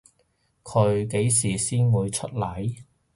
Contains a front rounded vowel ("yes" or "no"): no